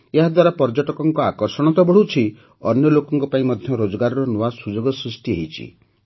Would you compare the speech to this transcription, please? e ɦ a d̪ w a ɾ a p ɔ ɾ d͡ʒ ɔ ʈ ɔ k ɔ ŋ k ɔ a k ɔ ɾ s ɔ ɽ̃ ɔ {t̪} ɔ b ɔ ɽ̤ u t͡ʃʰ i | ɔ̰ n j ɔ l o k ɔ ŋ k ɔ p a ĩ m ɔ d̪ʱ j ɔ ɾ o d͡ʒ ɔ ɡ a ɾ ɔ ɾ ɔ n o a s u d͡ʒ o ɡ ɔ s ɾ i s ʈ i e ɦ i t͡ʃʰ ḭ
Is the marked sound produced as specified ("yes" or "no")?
yes